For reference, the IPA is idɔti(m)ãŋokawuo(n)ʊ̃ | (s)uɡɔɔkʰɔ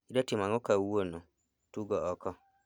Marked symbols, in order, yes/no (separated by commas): yes, yes, no